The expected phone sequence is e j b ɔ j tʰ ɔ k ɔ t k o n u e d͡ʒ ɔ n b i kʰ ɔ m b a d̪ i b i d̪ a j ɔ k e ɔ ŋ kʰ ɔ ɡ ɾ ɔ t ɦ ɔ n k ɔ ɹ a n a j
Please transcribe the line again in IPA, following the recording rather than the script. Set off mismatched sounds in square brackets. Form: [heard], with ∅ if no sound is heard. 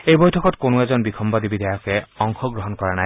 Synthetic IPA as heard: e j b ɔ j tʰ ɔ k ɔ t k o n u e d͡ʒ ɔ n b i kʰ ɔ m b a d̪ i b i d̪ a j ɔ k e ɔ ŋ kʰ ɔ ɡ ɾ ɔ [∅] ɦ ɔ n k ɔ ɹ a n a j